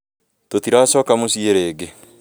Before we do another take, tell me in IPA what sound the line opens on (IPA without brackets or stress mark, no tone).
t